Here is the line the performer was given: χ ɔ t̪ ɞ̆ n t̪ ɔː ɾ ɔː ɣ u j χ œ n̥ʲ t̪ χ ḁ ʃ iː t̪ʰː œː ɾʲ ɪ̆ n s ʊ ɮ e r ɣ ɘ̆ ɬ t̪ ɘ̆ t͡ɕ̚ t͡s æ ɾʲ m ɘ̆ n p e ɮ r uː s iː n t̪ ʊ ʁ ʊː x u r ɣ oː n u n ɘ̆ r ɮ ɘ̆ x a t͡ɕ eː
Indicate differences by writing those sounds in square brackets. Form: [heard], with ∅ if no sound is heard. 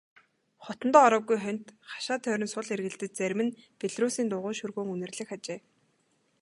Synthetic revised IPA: χ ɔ t̪ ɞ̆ n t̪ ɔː ɾ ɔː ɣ u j χ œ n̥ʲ t̪ χ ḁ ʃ [aː] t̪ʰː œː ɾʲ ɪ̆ n s ʊ ɮ e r ɣ ɘ̆ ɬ t̪ ɘ̆ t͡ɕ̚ t͡s æ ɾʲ m ɘ̆ n p e ɮ r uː s iː n t̪ ʊ ʁ ʊː [ʃ] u r ɣ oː [ŋ] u n ɘ̆ r ɮ ɘ̆ x a t͡ɕ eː